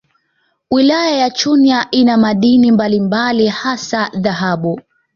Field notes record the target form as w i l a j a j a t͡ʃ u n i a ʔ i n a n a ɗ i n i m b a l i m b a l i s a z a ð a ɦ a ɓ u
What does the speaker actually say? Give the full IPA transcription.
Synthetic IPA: w i l a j a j a t͡ʃ u n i a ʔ i n a m a ɗ i n i m b a l i m b a l i h a s a ð a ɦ a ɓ u

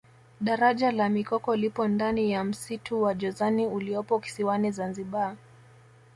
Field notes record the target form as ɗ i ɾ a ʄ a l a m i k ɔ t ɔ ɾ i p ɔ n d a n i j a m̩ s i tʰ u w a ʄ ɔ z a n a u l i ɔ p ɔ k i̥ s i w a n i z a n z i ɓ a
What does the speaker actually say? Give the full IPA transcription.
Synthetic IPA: ɗ a ɾ a ʄ a l a m i k ɔ k ɔ l i p ɔ n d a n i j a m̩ s i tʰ u w a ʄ ɔ z a n i u l i ɔ p ɔ k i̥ s i w a n i z a n z i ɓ a

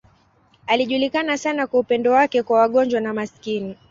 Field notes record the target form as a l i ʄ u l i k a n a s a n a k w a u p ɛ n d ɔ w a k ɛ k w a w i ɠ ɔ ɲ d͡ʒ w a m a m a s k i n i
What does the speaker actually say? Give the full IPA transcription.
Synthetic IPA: a l i ʄ u l i k a n a s a n a k w a u p ɛ n d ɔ w a k ɛ k w a w a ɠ ɔ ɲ d͡ʒ w a n a m a s k i n i

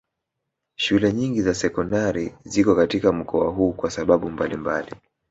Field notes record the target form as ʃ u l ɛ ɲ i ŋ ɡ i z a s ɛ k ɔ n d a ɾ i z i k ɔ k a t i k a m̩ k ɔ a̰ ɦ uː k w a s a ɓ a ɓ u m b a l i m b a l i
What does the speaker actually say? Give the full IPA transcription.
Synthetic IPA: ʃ u l ɛ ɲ i ŋ ɡ i z a s ɛ k ɔ n d a ɾ i z i k ɔ k a t i k a m̩ k ɔ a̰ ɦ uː k w a s a ɓ a ɓ u m b a l i m b a l i

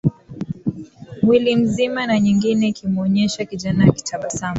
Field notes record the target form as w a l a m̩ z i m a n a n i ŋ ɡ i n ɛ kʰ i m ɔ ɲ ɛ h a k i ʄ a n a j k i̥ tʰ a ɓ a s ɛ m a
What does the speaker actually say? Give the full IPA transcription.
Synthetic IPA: w i l i m̩ z i m a n a ɲ i ŋ ɡ i n ɛ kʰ i m ɔ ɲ ɛ ʃ a k i ʄ a n a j k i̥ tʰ a ɓ a s a m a

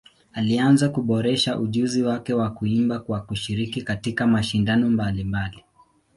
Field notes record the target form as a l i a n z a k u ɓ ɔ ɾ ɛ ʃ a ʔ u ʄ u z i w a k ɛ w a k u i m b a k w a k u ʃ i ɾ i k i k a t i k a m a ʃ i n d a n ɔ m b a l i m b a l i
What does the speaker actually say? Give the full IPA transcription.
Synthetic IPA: a l i a n z a k u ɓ ɔ ɾ ɛ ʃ a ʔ u ʄ u z i w a k ɛ w a k u i m b a k w a k u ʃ i ɾ i k i k a t i k a m a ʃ i n d a n ɔ m b a l i m b a l i

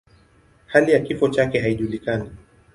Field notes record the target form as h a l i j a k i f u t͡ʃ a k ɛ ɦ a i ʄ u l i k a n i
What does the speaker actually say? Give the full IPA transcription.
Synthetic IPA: h a l i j a k i f ɔ t͡ʃ a k ɛ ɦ a i ʄ u l i k a n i

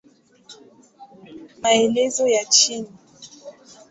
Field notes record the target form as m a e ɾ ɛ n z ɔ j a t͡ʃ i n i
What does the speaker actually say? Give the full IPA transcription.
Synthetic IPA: m a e l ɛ z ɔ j a t͡ʃ i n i

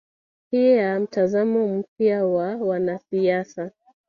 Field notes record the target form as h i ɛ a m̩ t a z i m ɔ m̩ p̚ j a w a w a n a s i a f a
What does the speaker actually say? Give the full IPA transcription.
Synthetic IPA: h i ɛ a m̩ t a z a m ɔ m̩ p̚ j a w a w a n a s i a s a

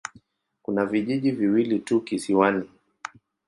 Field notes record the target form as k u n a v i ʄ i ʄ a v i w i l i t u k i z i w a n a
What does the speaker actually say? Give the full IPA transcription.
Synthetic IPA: k u n a v i ʄ i ʄ i v i w i l i t u k i s i w a n i

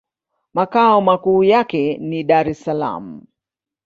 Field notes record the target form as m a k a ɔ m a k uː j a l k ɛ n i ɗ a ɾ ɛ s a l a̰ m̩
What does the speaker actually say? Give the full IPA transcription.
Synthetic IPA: m a k a ɔ m a k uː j a k ɛ n i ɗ a ɾ ɛ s a l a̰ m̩

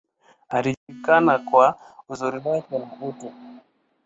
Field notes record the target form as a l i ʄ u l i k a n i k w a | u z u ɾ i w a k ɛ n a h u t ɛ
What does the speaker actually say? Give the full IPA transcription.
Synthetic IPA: a l i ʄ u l i k a n a k w a | u z u ɾ i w a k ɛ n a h u t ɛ

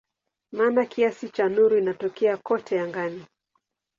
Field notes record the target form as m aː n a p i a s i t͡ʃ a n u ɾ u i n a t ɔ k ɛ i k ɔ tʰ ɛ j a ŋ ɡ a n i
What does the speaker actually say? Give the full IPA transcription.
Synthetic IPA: m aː n a k i a s i t͡ʃ a n u ɾ u i n a t ɔ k ɛ a k ɔ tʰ ɛ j a ŋ ɡ a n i

